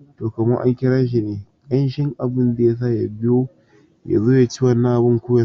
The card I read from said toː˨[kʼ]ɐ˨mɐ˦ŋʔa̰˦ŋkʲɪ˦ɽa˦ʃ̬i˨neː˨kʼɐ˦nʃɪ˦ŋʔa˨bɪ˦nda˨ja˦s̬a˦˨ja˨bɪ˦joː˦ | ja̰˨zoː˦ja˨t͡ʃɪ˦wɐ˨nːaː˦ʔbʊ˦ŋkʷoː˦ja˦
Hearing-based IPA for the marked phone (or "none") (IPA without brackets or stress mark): k